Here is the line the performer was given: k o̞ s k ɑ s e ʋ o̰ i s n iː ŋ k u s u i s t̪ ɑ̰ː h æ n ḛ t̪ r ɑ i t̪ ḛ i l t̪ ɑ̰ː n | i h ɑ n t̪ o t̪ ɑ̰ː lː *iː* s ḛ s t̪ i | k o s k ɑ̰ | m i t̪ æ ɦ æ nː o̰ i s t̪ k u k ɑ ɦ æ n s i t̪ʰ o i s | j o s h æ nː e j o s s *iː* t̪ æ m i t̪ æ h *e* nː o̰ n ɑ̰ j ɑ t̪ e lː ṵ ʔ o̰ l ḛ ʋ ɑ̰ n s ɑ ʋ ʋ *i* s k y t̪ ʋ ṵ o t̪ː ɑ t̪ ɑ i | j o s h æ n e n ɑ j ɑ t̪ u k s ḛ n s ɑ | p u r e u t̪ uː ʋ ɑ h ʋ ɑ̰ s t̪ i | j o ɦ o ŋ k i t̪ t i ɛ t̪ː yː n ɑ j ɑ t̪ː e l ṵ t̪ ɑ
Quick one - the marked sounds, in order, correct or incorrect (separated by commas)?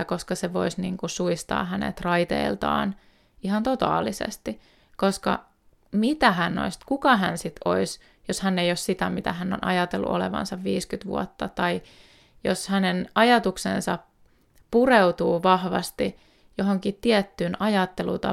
incorrect, incorrect, incorrect, incorrect